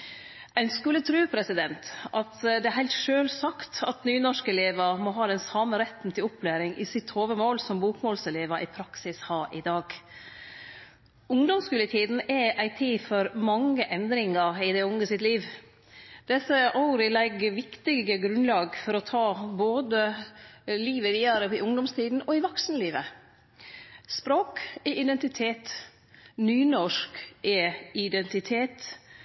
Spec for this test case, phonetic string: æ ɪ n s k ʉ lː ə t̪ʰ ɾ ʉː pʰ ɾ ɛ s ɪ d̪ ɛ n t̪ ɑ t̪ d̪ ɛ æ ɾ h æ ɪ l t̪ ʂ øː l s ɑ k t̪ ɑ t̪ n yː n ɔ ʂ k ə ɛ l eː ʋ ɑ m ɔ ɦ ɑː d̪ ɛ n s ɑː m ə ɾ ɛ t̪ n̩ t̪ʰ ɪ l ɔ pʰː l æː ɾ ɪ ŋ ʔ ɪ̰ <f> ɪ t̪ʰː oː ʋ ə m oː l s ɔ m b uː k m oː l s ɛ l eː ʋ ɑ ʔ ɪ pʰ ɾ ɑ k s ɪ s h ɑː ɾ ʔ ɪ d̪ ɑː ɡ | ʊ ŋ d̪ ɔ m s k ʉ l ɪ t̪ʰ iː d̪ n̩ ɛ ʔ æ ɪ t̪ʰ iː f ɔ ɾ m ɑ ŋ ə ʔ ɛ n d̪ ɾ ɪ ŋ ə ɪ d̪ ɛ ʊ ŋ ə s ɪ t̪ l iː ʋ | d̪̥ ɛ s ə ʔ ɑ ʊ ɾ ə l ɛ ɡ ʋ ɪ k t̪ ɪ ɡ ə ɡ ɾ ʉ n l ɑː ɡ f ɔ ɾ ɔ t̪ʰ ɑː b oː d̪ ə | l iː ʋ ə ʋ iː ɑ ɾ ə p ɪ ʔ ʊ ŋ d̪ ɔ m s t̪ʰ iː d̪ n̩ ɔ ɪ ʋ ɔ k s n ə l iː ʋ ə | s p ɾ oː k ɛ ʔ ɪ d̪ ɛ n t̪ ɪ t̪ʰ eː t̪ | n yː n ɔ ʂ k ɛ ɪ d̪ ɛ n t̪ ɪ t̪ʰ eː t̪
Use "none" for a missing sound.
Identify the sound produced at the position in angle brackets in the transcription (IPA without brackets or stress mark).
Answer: s